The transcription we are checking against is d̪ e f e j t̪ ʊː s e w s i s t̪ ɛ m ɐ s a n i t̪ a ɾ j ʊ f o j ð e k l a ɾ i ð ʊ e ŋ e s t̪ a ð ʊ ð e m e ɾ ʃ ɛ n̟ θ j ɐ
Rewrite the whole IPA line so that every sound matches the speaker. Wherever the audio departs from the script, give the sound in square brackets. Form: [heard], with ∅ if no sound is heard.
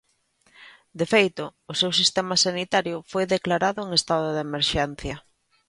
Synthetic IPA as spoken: d̪ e f e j t̪ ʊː s e w s i s t̪ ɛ m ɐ s a n i t̪ a ɾ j ʊ f o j ð e k l a ɾ [a] ð ʊ e ŋ e s t̪ a ð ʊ ð e m e ɾ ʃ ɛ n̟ θ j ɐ